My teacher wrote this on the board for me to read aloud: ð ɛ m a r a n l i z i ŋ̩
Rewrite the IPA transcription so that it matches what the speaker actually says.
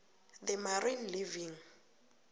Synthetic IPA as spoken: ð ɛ m a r i n l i v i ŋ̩